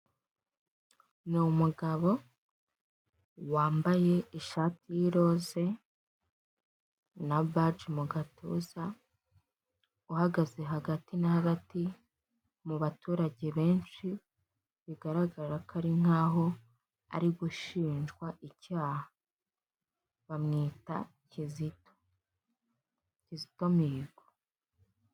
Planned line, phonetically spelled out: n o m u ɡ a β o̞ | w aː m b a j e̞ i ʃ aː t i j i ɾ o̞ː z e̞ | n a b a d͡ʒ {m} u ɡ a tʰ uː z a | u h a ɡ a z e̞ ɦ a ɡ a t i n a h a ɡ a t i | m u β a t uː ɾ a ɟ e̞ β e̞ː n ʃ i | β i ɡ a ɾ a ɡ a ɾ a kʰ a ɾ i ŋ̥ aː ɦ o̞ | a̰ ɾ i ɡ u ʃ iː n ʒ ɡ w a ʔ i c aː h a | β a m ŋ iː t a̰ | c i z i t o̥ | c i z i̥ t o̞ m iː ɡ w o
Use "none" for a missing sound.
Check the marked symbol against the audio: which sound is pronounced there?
m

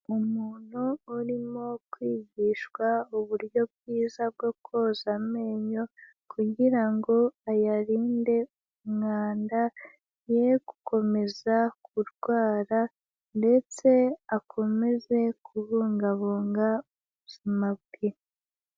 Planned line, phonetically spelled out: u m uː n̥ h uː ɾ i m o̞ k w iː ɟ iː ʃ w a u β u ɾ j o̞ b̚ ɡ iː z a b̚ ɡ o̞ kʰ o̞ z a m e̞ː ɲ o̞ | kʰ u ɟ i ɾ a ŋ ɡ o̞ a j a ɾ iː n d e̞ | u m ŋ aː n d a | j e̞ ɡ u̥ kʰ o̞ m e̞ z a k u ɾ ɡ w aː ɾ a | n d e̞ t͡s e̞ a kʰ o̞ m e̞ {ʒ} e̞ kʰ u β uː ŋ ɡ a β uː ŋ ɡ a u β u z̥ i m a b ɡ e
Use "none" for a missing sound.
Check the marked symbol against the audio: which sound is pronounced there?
z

